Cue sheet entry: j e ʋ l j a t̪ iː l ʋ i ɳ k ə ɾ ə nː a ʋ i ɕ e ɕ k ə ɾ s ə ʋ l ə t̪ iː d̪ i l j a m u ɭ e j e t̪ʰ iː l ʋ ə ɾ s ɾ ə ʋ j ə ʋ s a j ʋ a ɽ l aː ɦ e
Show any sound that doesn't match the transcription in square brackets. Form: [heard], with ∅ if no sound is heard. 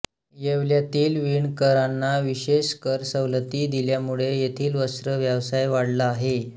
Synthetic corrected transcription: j e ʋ l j a t̪ iː l ʋ i ɳ k ə ɾ [a] nː a ʋ i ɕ e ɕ k ə ɾ s ə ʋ l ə t̪ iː d̪ i l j a m u ɭ e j e t̪ʰ iː l ʋ ə [∅] s ɾ ə ʋ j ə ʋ s a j ʋ a ɽ l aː ɦ e